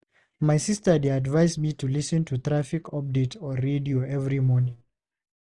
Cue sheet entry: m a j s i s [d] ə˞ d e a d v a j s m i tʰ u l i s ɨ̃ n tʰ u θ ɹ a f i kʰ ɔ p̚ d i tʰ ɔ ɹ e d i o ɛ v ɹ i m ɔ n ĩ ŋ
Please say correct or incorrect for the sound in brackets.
incorrect